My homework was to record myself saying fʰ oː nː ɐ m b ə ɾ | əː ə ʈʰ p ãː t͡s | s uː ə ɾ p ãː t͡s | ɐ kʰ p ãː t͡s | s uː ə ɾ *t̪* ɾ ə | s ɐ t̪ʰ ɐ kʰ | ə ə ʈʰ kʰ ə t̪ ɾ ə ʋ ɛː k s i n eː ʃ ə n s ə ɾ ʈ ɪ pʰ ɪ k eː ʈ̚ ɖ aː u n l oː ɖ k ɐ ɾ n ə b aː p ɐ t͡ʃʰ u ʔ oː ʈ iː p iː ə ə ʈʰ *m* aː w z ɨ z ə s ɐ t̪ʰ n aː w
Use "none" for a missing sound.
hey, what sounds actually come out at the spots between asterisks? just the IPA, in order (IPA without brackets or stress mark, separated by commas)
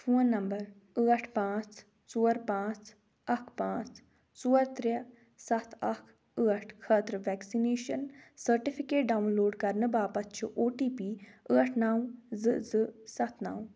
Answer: t̪, n